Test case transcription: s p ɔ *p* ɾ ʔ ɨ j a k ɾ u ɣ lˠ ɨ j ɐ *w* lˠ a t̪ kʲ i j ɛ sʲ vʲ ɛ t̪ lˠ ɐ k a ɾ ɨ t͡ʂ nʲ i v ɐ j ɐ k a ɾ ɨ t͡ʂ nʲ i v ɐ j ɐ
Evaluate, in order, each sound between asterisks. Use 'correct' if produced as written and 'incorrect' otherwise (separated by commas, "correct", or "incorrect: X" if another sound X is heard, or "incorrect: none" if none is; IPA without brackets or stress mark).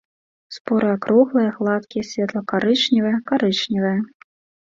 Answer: incorrect: none, incorrect: ɣ